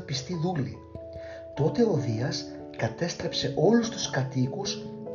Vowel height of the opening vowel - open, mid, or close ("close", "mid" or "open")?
close